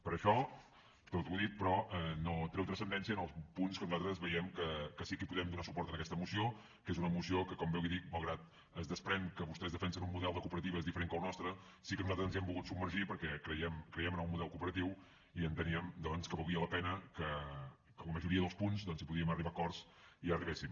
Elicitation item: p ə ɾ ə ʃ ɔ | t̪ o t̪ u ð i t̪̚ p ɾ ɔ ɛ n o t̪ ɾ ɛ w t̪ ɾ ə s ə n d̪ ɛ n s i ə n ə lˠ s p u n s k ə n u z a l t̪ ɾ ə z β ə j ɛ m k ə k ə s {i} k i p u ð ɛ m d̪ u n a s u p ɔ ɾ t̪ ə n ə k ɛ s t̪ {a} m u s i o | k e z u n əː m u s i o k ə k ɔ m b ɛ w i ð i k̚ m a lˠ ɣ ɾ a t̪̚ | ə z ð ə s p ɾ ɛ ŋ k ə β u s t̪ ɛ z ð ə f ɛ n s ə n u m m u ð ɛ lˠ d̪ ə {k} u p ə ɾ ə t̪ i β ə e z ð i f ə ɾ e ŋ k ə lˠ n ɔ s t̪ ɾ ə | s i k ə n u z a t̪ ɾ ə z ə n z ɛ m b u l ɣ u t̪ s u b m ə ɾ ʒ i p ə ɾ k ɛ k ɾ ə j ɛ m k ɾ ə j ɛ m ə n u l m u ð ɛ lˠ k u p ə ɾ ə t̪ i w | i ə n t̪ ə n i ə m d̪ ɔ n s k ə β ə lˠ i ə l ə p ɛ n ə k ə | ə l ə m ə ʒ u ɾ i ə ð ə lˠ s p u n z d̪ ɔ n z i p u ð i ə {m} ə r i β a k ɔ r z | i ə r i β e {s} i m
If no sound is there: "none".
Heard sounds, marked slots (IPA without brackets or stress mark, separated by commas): i, ə, k, m, s